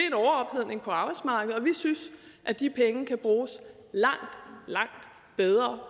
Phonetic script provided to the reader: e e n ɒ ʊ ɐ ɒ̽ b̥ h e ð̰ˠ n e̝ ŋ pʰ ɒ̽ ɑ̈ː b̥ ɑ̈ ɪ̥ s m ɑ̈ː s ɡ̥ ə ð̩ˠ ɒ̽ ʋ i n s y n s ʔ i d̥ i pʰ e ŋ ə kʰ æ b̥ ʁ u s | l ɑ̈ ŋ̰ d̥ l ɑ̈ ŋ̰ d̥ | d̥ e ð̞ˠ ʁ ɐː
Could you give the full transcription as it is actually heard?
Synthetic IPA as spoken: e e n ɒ ʊ ɐ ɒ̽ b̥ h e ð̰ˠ n e̝ ŋ pʰ ɒ̽ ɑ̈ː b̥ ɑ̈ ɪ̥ s m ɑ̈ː ɡ̥ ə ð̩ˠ ɒ̽ ʋ i s y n s ʔ æ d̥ i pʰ e ŋ ə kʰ æ b̥ ʁ uː s | l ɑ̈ ŋ̰ d̥ l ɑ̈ ŋ̰ d̥ | b̥ e ð̞ˠ ʁ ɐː